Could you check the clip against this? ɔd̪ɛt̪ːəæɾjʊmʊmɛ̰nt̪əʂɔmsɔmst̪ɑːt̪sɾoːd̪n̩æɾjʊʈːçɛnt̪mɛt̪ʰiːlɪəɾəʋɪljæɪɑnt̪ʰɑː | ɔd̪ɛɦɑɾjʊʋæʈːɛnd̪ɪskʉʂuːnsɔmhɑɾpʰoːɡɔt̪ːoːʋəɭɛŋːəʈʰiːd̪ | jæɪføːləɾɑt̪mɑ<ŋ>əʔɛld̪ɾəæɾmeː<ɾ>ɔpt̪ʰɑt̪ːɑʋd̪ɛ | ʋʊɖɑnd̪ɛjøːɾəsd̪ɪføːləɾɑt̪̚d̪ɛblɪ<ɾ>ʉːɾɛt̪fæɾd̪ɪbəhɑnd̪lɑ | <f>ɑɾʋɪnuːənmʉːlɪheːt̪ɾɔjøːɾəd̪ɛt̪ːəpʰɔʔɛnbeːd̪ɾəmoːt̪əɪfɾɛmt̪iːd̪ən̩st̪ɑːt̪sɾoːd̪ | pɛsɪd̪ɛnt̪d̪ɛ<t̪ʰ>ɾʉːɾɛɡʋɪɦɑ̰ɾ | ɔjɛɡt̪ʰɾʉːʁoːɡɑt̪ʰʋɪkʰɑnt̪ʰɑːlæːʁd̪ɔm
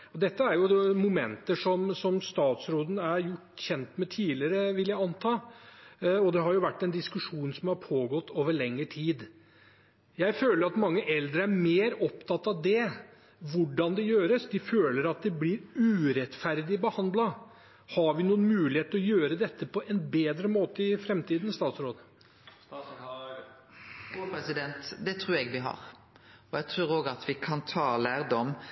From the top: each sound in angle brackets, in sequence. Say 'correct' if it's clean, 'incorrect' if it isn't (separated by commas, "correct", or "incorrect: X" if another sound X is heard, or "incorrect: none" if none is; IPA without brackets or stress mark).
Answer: incorrect: ŋː, correct, correct, incorrect: h, correct